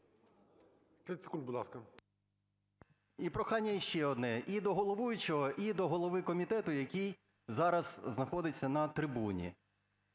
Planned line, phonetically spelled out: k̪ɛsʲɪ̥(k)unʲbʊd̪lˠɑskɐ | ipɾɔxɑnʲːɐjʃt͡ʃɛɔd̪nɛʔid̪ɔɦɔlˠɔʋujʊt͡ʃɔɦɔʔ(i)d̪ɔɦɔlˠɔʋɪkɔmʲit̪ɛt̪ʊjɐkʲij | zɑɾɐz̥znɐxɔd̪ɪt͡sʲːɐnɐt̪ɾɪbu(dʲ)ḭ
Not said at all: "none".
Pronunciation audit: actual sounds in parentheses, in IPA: k, i, nʲ

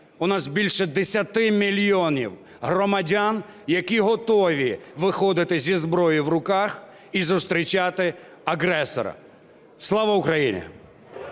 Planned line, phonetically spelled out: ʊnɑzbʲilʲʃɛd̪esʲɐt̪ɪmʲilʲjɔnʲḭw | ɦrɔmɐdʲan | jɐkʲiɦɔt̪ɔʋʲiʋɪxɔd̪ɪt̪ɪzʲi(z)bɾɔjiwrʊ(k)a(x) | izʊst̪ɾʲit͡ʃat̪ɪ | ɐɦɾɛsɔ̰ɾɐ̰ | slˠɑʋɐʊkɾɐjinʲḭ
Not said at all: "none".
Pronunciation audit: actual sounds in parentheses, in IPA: z, k, x

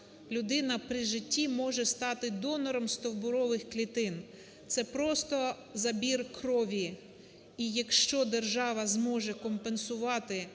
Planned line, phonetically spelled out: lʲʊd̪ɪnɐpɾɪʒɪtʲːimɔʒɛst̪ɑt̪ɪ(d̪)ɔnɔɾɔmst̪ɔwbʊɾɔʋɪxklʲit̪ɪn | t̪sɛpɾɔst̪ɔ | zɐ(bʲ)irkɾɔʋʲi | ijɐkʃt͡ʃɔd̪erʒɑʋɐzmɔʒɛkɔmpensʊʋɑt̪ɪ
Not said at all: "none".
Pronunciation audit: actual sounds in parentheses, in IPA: d̪, bʲ

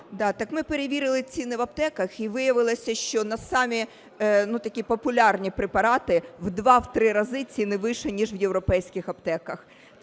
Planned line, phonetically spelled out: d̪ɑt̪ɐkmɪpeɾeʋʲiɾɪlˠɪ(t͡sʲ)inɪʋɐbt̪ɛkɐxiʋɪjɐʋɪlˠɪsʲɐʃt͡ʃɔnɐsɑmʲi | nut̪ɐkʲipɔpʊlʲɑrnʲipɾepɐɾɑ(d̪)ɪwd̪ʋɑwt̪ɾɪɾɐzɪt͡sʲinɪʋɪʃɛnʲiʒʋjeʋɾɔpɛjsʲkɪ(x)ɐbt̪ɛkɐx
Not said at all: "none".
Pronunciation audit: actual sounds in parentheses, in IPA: t͡sʲ, t̪, x

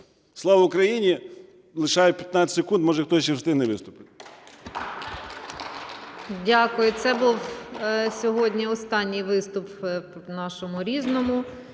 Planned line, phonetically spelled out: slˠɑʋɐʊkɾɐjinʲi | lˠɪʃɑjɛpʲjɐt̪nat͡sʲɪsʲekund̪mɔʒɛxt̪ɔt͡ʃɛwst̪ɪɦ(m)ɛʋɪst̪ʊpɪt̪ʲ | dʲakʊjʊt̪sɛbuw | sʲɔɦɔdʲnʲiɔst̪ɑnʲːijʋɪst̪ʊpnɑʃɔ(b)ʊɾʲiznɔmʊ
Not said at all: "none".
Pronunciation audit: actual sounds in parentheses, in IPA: n, m

